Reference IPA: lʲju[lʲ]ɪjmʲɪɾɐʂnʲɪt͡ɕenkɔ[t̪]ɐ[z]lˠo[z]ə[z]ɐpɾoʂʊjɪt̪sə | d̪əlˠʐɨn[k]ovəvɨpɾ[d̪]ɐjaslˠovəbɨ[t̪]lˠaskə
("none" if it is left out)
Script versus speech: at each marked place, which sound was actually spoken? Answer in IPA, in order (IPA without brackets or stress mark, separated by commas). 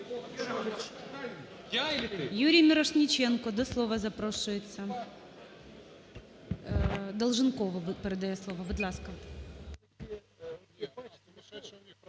ɾʲ, d̪, s, v, z, k, d̪, d̪